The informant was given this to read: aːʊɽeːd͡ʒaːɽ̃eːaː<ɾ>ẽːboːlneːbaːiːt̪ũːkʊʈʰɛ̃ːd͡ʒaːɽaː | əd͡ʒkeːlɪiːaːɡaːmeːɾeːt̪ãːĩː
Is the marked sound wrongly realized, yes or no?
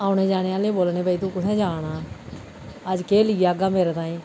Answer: yes